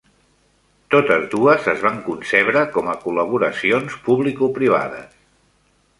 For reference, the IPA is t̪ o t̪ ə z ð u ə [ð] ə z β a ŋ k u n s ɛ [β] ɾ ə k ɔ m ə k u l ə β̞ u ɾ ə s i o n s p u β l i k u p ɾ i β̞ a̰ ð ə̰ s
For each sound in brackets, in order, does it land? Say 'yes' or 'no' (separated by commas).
no, yes